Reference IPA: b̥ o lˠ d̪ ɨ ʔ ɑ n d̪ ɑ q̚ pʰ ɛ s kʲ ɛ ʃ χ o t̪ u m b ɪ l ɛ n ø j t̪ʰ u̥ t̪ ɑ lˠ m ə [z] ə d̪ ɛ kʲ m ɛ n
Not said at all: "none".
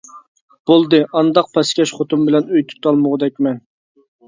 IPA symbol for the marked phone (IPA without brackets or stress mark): ʁ